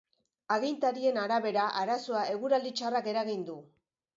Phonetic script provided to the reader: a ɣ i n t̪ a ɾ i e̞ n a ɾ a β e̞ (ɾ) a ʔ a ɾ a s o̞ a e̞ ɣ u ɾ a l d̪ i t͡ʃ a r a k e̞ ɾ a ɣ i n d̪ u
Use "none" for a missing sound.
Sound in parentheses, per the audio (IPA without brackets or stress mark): ɾ